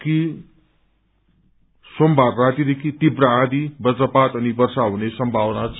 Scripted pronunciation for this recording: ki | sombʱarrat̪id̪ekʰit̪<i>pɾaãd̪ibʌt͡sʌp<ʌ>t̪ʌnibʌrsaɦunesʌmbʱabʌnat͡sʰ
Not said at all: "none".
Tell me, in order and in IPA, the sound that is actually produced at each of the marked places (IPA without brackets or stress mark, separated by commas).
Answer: i, a